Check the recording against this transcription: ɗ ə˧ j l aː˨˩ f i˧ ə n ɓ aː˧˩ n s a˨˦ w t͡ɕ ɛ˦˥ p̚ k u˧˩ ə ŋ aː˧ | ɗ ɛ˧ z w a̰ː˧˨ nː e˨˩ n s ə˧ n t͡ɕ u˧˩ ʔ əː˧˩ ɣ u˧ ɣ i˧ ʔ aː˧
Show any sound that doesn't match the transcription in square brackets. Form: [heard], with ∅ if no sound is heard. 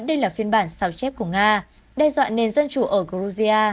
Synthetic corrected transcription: ɗ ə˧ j l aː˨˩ f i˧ ə n ɓ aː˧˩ n s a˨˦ w t͡ɕ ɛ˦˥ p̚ k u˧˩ ə ŋ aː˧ | ɗ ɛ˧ z w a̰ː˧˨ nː e˨˩ n [z] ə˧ n t͡ɕ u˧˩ ʔ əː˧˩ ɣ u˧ [z] i˧ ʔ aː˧